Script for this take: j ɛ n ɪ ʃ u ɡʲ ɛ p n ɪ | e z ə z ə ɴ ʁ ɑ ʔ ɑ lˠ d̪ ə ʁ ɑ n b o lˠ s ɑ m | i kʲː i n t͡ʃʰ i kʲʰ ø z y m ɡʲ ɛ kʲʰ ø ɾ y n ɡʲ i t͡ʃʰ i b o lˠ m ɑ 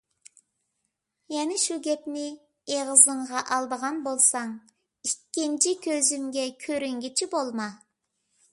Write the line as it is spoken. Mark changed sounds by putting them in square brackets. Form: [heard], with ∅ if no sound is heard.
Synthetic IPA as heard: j ɛ n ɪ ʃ u ɡʲ ɛ p n ɪ | e [ʁ] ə z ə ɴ ʁ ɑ ʔ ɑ lˠ d̪ ə ʁ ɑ n b o lˠ s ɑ [ŋ] | i kʲː i n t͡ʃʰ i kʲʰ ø z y m ɡʲ ɛ kʲʰ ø ɾ y [ŋ] ɡʲ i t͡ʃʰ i b o lˠ m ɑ